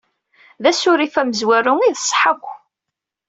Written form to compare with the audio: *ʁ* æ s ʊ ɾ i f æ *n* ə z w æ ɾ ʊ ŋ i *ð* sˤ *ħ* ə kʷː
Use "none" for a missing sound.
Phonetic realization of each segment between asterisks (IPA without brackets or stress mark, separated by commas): ð, m, ð, ħ